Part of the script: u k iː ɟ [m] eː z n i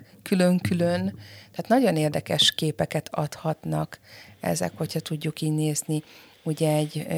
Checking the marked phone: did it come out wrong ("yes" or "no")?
yes